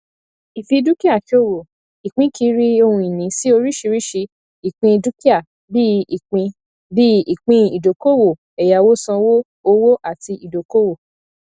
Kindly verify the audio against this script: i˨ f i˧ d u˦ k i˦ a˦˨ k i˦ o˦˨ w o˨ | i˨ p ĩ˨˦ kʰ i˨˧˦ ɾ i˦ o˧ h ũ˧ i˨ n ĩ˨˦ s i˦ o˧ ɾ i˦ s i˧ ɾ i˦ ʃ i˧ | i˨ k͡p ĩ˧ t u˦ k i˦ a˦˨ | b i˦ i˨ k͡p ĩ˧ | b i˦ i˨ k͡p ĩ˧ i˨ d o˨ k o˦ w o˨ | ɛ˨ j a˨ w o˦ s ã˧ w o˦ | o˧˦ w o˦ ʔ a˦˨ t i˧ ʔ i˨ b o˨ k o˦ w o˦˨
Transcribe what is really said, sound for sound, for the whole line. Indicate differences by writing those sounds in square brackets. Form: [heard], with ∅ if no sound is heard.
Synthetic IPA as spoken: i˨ f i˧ d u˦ k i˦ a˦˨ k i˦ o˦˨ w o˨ | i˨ [k͡p] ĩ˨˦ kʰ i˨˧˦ ɾ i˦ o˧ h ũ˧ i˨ n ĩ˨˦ s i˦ o˧ ɾ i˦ [ʃ] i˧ ɾ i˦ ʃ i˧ | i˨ k͡p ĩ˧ [d] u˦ k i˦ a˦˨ | b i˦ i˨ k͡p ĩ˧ | b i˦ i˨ k͡p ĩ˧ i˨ d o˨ k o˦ w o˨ | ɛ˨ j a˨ w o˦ s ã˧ w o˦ | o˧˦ w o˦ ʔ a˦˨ t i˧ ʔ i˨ [d] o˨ k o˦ w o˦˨

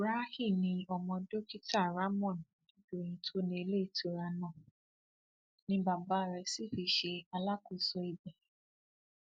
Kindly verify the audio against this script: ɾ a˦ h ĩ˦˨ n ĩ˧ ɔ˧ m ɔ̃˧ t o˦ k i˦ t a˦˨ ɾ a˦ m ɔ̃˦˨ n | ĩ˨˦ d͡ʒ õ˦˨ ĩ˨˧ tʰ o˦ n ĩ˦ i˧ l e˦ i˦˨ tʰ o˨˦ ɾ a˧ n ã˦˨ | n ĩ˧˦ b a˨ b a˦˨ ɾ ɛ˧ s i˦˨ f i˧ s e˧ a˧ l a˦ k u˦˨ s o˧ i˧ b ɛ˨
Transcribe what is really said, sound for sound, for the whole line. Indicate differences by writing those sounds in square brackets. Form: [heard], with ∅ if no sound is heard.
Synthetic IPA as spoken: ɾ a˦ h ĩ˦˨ n ĩ˧ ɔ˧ m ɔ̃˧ [d] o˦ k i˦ t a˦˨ ɾ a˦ m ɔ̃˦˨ n | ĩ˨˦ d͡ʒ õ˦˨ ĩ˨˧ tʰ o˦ n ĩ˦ [e˧] l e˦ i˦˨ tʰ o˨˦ ɾ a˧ n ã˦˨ | n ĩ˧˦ b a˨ b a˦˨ ɾ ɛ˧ s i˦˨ f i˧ [ʃ] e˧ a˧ l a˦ k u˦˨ s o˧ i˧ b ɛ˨

